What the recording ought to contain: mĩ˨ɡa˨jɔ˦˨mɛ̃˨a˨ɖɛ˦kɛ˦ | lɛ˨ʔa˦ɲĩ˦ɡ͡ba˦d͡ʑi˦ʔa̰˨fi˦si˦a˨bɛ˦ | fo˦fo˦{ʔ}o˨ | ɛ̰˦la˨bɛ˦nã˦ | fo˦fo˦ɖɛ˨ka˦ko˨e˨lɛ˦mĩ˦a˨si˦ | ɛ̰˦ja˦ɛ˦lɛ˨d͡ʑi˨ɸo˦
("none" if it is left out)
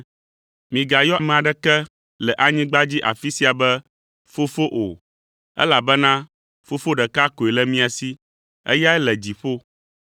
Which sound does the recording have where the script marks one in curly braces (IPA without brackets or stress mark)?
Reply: ʔ